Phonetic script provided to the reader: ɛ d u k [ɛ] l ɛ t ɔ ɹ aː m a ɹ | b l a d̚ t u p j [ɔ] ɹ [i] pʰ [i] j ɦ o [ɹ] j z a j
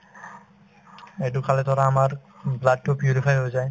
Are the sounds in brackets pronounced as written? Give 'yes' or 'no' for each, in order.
no, no, yes, no, no

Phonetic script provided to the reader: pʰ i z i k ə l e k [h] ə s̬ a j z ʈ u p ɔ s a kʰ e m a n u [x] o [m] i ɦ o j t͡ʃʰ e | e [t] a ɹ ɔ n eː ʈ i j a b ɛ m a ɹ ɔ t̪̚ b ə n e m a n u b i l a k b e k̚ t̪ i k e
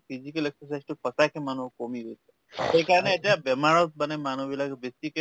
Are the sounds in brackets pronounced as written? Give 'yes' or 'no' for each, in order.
no, no, yes, no

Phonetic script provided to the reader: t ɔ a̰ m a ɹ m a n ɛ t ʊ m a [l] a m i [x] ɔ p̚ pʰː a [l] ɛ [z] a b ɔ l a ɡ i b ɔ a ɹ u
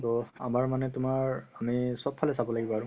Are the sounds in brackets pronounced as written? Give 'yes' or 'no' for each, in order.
no, no, yes, no

